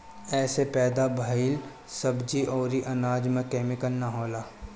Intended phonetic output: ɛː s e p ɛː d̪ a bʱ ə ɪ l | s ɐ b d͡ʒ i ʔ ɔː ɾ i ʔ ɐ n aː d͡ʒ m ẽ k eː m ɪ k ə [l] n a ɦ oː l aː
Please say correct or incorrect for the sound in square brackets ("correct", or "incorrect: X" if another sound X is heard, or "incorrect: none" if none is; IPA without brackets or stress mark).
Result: correct